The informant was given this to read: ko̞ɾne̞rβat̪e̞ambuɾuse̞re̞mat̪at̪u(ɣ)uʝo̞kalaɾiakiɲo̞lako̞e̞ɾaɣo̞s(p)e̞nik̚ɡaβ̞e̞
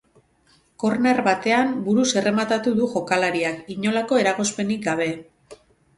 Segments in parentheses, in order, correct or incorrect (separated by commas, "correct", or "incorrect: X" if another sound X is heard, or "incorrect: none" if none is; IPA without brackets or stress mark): incorrect: ð, correct